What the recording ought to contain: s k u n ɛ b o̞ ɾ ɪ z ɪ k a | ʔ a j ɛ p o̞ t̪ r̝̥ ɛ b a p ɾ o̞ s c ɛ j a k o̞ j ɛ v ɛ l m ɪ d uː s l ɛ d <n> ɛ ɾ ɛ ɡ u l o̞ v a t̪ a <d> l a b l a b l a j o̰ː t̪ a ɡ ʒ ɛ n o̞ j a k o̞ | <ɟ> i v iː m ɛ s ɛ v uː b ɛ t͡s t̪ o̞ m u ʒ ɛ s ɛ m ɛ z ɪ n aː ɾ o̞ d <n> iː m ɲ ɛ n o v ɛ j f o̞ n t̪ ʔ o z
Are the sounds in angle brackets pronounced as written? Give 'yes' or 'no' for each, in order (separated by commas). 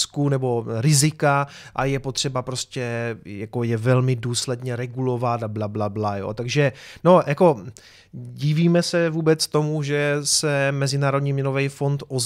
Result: no, no, yes, no